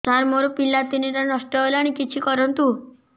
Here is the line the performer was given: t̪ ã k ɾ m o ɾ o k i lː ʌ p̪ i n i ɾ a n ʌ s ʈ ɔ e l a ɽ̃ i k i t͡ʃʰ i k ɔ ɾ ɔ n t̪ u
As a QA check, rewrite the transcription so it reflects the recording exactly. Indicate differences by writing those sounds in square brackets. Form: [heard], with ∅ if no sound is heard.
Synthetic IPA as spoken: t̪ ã [∅] ɾ m o ɾ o [p] i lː [a] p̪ i n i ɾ a n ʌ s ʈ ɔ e l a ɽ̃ i k i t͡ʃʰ i k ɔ ɾ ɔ n t̪ u